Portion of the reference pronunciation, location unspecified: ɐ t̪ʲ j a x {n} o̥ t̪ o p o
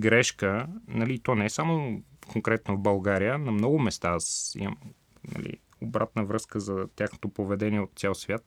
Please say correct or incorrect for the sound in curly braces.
correct